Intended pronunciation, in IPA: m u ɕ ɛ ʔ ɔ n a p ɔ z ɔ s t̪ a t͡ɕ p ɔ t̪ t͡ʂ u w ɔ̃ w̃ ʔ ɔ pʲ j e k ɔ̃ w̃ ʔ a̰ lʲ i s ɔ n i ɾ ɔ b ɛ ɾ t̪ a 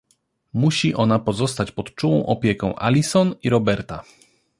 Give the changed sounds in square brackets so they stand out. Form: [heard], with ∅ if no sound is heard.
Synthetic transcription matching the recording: m u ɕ [i] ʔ ɔ n a p ɔ z ɔ s t̪ a t͡ɕ p ɔ t̪ t͡ʂ u w ɔ̃ w̃ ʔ ɔ pʲ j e k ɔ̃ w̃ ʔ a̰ lʲ i s ɔ n i ɾ ɔ b ɛ ɾ t̪ a